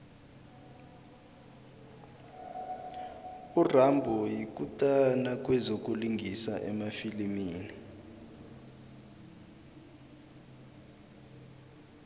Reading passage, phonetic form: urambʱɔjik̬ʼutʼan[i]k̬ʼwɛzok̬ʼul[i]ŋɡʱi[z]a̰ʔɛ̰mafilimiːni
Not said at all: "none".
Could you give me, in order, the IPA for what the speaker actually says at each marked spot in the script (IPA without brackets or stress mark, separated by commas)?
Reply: a, i, s